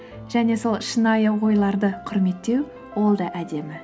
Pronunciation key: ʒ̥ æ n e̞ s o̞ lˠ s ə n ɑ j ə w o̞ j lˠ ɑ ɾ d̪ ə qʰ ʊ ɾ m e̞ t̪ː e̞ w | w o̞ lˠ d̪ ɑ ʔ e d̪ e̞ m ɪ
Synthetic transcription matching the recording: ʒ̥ æ n e̞ s o̞ lˠ ʃ ə n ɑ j ə w o̞ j lˠ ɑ ɾ d̪ ə qʰ ʊ ɾ m e̞ t̪ː e̞ w | w o̞ lˠ d̪ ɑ ʔ æ d̪ e̞ m ɪ